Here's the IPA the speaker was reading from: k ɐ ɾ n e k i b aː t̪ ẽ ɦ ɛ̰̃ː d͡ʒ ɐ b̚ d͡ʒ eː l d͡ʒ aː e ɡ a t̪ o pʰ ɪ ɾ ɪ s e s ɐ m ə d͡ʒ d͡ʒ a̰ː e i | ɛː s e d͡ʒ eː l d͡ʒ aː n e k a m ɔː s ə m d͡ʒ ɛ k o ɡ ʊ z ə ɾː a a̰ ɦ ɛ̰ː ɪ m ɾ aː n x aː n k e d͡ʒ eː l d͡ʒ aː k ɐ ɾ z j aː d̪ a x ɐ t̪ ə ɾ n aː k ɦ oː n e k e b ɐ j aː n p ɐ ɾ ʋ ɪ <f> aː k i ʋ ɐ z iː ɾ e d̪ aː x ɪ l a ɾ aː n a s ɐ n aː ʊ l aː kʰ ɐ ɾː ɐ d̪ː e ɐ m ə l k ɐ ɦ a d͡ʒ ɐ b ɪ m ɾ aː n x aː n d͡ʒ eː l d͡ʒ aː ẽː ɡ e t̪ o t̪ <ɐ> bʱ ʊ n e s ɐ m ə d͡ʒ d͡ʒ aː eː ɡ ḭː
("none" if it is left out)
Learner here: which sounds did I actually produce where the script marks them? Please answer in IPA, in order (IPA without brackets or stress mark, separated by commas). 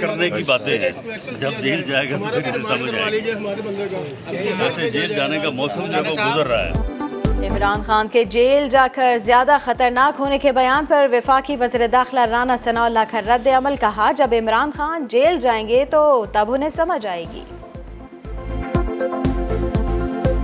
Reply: f, ɐ